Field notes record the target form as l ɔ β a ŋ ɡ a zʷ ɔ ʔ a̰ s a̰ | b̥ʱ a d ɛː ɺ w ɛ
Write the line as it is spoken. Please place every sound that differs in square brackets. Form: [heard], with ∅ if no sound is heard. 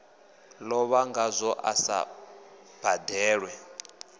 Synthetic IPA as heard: l ɔ β a ŋ ɡ a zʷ ɔ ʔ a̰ s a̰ | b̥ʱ a d ɛː ɺ w ɛ